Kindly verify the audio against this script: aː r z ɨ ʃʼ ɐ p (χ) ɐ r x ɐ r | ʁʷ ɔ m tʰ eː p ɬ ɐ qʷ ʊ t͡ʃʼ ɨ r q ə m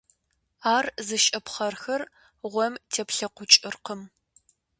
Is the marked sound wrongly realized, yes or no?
no